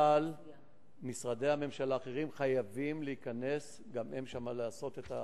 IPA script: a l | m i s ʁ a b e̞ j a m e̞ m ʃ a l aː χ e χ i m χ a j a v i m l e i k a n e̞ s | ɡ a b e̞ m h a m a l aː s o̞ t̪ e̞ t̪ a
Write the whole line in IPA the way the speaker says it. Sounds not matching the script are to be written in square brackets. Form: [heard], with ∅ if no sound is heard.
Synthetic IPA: a l | m i s ʁ a [d] e̞ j a m e̞ m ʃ a l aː χ e [ʁ] i m χ a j a v i m l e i k a n e̞ s | ɡ a [m] e̞ m [ʃ] a m a l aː s o̞ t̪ e̞ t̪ a